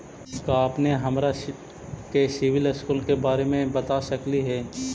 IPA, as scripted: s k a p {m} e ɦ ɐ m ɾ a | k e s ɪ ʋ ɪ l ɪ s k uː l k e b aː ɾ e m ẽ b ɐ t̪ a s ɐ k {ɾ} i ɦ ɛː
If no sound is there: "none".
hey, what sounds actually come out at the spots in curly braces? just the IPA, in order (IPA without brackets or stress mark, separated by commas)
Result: n, l